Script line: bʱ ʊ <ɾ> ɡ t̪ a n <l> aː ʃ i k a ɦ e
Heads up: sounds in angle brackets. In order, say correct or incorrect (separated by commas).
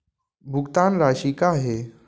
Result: incorrect, incorrect